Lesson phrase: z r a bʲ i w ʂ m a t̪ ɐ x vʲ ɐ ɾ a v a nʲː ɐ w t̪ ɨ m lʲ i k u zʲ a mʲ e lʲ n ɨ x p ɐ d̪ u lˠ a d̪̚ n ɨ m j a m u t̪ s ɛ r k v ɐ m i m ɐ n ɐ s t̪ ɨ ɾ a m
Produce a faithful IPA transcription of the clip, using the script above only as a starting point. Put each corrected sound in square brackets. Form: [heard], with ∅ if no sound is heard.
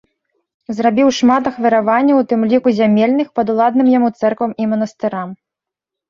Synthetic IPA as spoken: z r a bʲ i w ʂ m a t̪ ɐ x vʲ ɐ ɾ a v a nʲː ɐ w t̪ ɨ m lʲ i k u zʲ a mʲ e lʲ n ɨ x p ɐ d̪ u lˠ a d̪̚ n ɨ m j a m u t̪ s ɛ r k v ɐ m i m ɐ n ɐ s t̪ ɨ ɾ a m